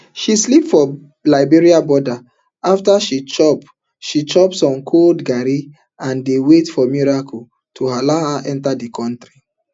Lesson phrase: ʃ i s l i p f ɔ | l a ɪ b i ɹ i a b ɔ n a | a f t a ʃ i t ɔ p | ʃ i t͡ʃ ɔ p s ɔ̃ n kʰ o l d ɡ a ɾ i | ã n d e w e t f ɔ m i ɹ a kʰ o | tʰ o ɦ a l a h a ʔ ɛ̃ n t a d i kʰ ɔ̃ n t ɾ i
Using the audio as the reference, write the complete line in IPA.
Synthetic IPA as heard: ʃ i s l i p f ɔ | l a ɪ b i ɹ i a b ɔ d a | a f t a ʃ i t͡ʃ ɔ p | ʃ i t͡ʃ ɔ p s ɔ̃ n kʰ o l d ɡ a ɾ i | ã n d e w e t f ɔ m i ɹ a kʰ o | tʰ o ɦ a l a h a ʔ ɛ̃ n t a d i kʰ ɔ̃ n t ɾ i